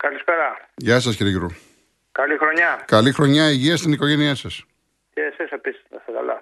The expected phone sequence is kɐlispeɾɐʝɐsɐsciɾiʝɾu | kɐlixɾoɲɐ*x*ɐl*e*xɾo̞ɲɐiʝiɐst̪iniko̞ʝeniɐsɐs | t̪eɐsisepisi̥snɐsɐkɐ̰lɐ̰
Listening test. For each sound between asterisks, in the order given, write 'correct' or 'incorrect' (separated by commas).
incorrect, incorrect